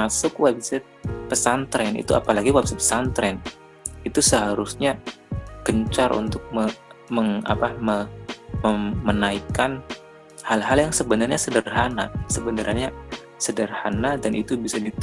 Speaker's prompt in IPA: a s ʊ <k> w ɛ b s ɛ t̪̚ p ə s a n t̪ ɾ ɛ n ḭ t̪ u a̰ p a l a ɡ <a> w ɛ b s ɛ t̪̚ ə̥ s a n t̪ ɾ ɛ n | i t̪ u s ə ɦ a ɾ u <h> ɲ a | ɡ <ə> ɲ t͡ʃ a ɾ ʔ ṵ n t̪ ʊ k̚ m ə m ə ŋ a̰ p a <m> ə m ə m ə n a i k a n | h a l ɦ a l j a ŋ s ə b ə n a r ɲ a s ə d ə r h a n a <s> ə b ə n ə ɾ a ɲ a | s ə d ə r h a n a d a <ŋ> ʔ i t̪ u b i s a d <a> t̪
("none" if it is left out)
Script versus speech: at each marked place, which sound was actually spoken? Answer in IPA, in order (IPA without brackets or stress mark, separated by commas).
k, i, s, ə, m, s, n, i